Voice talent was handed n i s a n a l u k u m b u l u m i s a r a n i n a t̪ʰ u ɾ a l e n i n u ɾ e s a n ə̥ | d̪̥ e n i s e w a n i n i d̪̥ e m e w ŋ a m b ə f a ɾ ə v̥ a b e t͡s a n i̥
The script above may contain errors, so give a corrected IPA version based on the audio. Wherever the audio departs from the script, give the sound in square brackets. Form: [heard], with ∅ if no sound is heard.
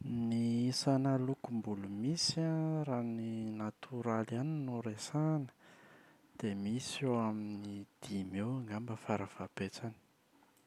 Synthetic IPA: n i s a n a l u k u m b u l u m i s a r a n i n a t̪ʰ u ɾ a l [a] n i n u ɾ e s a n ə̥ | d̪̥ e [m] i s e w a [m] i n i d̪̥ [i] m e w ŋ a m b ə f a ɾ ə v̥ a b e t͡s a n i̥